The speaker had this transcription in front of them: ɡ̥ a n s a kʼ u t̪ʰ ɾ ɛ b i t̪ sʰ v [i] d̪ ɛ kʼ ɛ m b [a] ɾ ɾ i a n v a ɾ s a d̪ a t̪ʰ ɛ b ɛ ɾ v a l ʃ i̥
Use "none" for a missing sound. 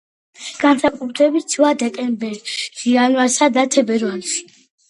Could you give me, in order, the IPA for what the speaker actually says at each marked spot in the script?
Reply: a, ɛ

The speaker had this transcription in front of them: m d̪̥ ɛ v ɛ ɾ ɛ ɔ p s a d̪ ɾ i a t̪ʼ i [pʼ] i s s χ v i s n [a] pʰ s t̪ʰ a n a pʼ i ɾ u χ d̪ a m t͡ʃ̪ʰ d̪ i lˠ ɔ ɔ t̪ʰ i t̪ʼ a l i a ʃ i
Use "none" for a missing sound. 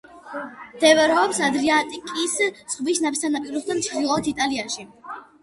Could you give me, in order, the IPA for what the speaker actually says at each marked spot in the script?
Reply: kʼ, a

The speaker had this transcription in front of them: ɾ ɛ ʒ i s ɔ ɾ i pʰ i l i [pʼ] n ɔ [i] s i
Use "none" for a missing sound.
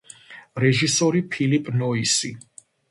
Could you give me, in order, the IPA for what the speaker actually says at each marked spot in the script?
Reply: pʼ, i

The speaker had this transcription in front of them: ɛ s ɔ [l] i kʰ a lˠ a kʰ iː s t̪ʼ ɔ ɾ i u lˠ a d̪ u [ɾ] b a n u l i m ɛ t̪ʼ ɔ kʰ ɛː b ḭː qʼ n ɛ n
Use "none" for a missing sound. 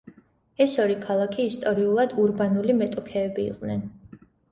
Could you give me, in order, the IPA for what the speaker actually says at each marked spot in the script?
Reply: ɾ, ɾ

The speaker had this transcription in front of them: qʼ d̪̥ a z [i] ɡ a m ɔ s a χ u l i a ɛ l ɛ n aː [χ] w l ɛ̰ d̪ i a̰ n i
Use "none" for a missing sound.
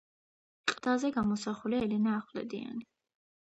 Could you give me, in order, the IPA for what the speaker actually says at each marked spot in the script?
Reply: ɛ, χ

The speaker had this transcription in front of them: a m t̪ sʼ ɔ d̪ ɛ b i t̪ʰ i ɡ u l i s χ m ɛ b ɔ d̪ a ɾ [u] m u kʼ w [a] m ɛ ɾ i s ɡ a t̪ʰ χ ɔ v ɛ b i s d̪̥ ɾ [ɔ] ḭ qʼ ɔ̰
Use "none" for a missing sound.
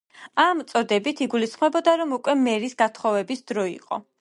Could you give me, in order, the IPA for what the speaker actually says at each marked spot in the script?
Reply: ɔ, ɛ, ɔ

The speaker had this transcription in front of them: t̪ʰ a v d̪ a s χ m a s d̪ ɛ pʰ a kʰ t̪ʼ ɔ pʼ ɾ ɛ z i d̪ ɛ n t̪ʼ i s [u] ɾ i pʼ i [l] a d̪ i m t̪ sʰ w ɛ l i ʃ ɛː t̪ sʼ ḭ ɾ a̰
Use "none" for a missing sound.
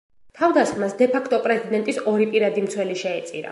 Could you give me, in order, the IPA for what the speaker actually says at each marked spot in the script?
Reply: ɔ, ɾ

